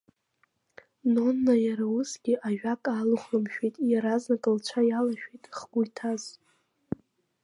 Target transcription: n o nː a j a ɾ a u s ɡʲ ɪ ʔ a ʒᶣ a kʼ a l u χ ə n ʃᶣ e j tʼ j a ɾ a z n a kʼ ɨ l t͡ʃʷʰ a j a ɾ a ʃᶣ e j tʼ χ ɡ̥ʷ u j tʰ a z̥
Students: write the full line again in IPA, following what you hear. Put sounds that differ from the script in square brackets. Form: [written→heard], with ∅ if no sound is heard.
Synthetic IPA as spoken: n o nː a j a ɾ a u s ɡʲ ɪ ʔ a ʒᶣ a kʼ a l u χ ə [n→m] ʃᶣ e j tʼ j a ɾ a z n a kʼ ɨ l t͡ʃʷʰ a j a [ɾ→l] a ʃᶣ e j tʼ χ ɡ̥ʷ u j tʰ a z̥